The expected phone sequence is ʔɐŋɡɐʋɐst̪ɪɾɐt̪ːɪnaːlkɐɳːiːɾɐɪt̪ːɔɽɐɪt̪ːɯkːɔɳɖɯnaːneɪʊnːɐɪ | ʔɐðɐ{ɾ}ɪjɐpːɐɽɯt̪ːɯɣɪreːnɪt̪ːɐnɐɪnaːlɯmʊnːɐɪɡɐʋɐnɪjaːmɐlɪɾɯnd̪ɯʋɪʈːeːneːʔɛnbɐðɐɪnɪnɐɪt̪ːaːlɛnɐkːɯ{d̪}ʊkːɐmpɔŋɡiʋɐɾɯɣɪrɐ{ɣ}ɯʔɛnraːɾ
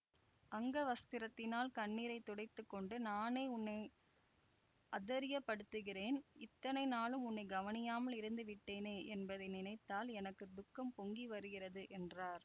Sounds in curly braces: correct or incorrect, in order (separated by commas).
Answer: correct, correct, incorrect